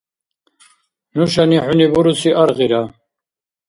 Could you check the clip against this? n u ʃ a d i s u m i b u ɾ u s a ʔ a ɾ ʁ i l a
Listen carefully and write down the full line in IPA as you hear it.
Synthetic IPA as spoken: n u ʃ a n i ħ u n i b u ɾ u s i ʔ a ɾ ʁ i ɾ a